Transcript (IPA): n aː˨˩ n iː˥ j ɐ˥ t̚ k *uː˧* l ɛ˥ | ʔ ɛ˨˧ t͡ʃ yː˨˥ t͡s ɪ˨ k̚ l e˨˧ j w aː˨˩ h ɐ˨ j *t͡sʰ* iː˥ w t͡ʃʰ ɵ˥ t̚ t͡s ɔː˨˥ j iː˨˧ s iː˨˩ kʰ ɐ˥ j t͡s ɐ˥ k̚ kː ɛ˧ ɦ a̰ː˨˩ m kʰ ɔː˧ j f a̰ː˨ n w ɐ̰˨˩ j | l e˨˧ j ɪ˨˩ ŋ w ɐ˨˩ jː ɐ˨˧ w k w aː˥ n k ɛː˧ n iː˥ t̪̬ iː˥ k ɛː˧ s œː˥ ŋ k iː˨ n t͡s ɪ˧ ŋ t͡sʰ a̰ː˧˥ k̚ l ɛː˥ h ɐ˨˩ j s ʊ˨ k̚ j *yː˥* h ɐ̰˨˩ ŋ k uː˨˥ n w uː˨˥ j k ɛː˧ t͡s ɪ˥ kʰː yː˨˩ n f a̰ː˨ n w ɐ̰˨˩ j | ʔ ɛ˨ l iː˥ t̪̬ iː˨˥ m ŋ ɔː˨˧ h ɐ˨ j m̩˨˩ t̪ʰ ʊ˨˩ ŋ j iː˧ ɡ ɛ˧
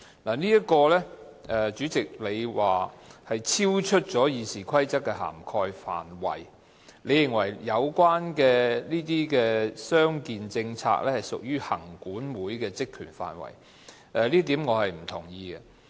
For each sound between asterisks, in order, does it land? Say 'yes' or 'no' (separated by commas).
no, yes, yes